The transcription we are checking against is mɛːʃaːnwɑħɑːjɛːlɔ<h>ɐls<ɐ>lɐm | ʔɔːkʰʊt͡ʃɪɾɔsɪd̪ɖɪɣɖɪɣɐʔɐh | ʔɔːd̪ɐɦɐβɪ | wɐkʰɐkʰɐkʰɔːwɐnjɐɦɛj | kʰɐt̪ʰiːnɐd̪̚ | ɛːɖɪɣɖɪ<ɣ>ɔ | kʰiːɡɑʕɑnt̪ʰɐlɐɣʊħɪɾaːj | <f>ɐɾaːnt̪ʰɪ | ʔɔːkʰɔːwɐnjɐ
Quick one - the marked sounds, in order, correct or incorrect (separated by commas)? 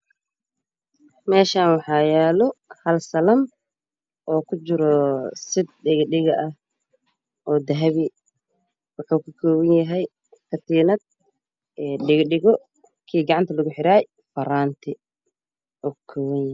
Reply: correct, correct, correct, correct